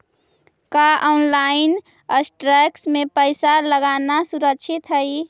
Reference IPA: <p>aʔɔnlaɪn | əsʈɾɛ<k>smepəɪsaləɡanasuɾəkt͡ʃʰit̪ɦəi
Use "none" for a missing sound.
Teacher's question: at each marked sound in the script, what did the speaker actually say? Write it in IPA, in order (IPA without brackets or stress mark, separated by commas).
k, k